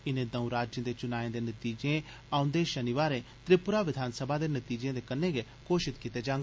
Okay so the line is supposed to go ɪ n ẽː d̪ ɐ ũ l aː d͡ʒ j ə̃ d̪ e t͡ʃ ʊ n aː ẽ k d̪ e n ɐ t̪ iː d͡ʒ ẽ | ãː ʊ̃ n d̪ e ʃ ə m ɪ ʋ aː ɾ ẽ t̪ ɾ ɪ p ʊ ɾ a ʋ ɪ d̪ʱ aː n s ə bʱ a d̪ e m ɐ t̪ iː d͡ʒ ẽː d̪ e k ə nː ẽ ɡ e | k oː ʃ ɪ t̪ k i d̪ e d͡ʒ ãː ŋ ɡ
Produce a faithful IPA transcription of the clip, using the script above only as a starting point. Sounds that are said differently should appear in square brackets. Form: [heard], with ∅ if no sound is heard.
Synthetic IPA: ɪ n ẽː d̪ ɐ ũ [ɾ] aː d͡ʒ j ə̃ d̪ e t͡ʃ ʊ n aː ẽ [∅] d̪ e n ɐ t̪ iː d͡ʒ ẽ | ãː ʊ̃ n d̪ e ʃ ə [n] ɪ ʋ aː ɾ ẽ t̪ ɾ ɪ p ʊ ɾ a ʋ ɪ d̪ʱ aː n s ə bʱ a d̪ e [n] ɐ t̪ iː d͡ʒ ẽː d̪ e k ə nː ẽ ɡ e | k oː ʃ ɪ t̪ k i [t̪] e d͡ʒ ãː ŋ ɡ